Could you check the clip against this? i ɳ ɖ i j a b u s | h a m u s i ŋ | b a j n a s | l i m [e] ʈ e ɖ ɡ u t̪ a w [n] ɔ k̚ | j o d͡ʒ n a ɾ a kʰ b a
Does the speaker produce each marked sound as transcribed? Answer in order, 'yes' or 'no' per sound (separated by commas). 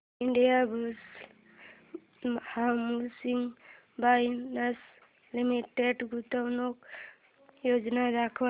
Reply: no, yes